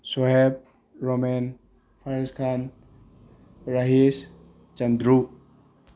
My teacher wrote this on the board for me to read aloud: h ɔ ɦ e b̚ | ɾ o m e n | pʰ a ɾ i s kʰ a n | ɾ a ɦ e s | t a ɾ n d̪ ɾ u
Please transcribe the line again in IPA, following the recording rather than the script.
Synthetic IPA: s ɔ ɦ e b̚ | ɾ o m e n | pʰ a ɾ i s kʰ a n | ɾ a ɦ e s | t͡ʃ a n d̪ ɾ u